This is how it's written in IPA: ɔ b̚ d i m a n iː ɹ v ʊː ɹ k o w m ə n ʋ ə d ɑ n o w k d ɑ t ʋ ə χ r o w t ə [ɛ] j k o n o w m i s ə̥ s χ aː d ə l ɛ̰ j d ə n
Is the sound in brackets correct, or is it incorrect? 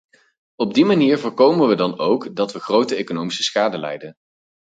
incorrect: e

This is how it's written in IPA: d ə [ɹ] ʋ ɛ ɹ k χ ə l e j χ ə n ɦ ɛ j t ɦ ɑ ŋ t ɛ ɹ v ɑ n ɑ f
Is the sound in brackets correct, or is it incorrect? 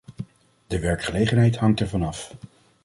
incorrect: none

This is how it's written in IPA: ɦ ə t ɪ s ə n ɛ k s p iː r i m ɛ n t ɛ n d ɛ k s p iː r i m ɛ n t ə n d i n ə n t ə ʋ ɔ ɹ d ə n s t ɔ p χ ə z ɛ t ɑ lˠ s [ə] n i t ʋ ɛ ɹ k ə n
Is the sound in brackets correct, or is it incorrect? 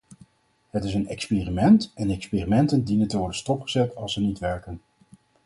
correct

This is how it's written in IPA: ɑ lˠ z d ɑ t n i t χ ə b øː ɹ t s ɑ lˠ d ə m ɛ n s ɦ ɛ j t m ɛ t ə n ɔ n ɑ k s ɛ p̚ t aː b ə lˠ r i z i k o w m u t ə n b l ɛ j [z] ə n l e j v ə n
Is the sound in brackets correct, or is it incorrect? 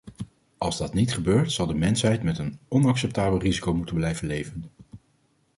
incorrect: v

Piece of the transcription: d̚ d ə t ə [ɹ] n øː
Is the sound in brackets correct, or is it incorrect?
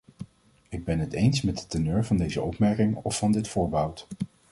incorrect: none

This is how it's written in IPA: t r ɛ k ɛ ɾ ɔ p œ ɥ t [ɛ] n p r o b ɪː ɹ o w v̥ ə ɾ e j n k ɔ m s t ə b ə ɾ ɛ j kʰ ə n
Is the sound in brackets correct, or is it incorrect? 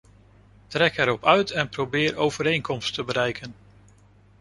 correct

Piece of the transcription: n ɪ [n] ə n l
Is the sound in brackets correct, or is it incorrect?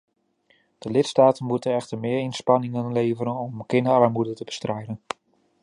incorrect: ŋ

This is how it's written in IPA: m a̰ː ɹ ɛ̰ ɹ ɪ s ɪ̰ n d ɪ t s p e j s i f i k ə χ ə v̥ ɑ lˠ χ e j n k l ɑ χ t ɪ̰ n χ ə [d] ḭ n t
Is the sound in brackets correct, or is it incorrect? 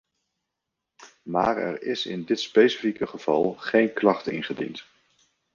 correct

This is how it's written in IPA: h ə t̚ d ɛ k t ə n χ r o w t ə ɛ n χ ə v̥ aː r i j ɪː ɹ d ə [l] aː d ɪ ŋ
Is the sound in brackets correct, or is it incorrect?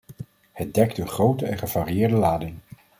correct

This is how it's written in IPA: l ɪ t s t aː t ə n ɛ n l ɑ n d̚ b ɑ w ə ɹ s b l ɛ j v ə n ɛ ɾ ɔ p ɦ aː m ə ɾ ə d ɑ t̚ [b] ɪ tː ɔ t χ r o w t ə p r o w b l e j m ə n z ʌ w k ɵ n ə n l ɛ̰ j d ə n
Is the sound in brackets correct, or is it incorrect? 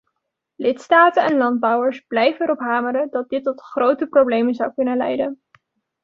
incorrect: d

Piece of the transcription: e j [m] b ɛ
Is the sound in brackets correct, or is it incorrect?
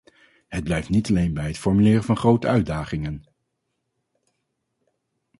incorrect: n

